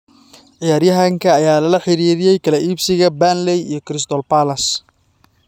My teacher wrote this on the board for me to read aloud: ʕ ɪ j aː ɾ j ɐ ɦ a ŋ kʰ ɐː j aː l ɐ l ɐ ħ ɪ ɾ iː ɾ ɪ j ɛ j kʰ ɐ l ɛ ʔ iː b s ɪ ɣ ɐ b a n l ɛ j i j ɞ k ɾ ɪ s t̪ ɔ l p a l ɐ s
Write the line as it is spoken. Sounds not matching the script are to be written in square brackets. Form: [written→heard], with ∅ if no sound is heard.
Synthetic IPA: ʕ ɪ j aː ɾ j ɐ ɦ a ŋ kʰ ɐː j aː l ɐ l ɐ ħ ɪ ɾ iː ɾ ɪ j ɛ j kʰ ɐ l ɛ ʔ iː b s ɪ ɣ ɐ b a n l ɛ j i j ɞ k ɾ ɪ s t̪ ɔ l p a l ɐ s